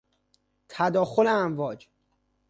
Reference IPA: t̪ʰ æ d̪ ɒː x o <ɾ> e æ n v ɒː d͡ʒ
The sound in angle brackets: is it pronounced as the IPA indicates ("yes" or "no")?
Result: no